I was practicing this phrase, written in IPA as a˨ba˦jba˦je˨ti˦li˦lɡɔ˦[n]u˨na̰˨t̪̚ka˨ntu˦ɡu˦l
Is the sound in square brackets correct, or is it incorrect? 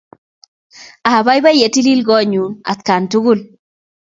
incorrect: ɲ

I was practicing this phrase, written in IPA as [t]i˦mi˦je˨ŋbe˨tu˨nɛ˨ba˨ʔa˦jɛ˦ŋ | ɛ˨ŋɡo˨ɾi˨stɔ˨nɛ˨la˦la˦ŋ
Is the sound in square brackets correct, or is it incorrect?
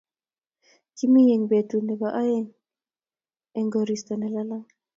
incorrect: k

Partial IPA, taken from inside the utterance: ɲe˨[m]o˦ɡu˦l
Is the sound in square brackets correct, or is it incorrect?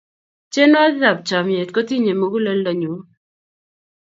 correct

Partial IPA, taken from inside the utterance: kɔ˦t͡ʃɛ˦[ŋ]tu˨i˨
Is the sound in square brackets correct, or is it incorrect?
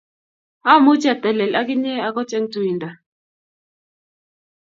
correct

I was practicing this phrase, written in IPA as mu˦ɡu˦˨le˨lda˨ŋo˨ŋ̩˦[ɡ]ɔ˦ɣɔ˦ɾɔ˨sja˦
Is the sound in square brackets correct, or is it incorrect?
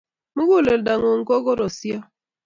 incorrect: k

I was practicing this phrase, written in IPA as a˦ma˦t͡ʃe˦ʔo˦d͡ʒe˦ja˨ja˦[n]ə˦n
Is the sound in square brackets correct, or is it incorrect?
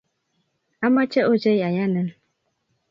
correct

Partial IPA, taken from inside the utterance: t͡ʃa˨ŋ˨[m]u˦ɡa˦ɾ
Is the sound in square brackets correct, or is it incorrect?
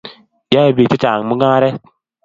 correct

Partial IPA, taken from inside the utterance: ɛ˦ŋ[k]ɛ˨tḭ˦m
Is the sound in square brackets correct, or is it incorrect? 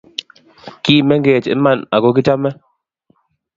incorrect: ɡ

